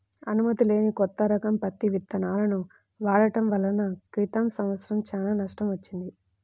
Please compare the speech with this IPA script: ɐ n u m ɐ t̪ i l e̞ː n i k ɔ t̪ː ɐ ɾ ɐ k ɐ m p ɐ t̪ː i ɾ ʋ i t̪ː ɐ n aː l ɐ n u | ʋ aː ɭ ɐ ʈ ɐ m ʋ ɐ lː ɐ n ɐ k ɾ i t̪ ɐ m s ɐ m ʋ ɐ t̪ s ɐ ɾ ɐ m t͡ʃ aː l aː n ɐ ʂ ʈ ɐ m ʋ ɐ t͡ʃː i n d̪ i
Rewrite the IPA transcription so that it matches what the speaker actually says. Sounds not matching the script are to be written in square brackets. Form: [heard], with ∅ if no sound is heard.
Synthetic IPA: ɐ n u m ɐ t̪ i l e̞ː n i k ɔ t̪ː ɐ ɾ ɐ k ɐ m p ɐ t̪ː i [∅] ʋ i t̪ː ɐ n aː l ɐ n u | ʋ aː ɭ ɐ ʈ ɐ m ʋ ɐ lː ɐ n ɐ k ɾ i t̪ ɐ m s ɐ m ʋ ɐ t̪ s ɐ ɾ ɐ m t͡ʃ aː l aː n ɐ ʂ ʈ ɐ m ʋ ɐ t͡ʃː i n d̪ i

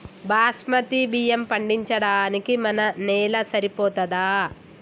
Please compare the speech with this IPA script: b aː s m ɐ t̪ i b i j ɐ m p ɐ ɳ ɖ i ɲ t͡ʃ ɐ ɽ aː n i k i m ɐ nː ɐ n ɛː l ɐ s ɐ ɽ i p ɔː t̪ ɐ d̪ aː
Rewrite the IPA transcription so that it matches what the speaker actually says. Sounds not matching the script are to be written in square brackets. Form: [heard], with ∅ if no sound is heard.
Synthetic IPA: b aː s m ɐ t̪ i b i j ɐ m p ɐ ɳ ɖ i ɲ t͡ʃ ɐ ɽ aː n i k i m ɐ [n] ɐ n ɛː l ɐ s ɐ [ɾ] i p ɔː t̪ ɐ d̪ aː

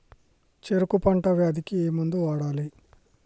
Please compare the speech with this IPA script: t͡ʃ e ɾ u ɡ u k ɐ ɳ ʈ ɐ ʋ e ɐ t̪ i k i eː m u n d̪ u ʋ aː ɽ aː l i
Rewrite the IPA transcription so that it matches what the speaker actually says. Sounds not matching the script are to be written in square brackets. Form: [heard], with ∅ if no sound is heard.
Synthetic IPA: t͡ʃ e ɾ u [k] u [p] ɐ ɳ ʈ ɐ ʋ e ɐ [d̪] i k i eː m u n d̪ u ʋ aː ɽ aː l i

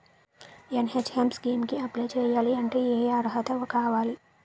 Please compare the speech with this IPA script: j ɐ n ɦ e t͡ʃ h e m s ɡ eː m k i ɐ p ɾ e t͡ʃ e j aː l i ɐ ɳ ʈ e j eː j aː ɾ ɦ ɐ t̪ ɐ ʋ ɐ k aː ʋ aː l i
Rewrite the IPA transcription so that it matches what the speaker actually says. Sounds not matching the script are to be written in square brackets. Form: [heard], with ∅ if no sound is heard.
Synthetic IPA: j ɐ n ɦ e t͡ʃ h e m s ɡ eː m k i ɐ p [l] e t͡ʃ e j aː l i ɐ ɳ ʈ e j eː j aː ɾ ɦ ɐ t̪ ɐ ʋ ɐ k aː ʋ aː l i

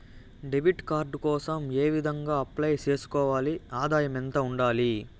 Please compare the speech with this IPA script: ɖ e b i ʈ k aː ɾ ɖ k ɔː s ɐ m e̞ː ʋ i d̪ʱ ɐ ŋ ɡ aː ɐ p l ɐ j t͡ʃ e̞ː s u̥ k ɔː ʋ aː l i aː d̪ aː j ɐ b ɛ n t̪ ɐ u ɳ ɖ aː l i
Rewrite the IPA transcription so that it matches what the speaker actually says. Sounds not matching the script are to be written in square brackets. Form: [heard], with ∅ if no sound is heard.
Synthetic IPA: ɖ e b i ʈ k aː ɾ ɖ k ɔː s ɐ m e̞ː ʋ i d̪ʱ ɐ ŋ ɡ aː ɐ p l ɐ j t͡ʃ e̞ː s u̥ k ɔː ʋ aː l i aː d̪ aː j ɐ [m] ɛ n t̪ ɐ u ɳ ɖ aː l i

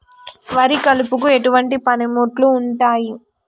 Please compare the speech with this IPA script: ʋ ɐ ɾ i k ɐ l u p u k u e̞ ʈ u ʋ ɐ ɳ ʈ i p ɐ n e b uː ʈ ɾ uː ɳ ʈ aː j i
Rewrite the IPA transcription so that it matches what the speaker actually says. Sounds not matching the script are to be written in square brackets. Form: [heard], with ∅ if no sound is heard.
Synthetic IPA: ʋ ɐ ɾ i k ɐ l u p u k u e̞ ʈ u ʋ ɐ ɳ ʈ i p ɐ n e [m] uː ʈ [l] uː ɳ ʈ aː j i

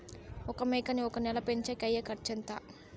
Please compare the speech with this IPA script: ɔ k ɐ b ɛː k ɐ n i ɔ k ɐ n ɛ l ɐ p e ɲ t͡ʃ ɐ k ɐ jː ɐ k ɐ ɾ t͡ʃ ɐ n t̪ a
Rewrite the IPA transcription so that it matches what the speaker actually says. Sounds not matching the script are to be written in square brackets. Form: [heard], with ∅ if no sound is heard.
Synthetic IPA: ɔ k ɐ [m] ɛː k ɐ n i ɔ k ɐ n ɛ l ɐ p e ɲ t͡ʃ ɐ k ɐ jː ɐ k ɐ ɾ t͡ʃ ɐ n t̪ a

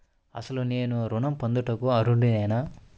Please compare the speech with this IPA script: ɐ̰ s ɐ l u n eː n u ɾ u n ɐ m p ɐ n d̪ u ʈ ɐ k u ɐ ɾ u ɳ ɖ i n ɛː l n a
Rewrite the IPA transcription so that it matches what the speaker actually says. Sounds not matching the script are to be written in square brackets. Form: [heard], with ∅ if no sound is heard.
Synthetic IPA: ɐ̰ s ɐ l u n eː n u ɾ u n ɐ m p ɐ n d̪ u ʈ ɐ k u ɐ ɾ u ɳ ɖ i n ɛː [∅] n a

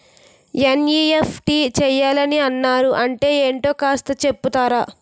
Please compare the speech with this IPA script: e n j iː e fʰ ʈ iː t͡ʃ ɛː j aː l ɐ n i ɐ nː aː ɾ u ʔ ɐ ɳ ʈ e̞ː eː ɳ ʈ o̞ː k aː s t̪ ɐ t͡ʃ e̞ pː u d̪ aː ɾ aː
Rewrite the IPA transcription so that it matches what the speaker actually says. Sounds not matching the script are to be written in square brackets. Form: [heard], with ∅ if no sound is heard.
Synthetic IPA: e n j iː e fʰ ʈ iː t͡ʃ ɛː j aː l ɐ n i ɐ nː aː ɾ u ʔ ɐ ɳ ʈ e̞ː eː ɳ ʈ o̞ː k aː s t̪ ɐ t͡ʃ e̞ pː u [t̪] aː ɾ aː

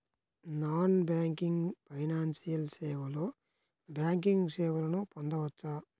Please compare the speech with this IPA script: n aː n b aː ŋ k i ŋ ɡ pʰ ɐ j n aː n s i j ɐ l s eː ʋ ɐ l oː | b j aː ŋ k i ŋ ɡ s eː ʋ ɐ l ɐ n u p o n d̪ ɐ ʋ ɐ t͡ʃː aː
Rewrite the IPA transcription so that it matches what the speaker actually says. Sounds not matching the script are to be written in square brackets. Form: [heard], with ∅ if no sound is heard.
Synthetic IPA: n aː n b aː ŋ k i ŋ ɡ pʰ ɐ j n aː n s i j ɐ l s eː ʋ ɐ l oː | b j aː ŋ k i ŋ ɡ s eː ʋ ɐ l ɐ n u p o n d̪ ɐ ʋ ɐ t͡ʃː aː

